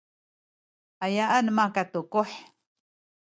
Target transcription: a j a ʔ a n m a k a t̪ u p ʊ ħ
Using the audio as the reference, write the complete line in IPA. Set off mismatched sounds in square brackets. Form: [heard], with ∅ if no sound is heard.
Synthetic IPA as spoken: a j a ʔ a n m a k a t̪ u [k] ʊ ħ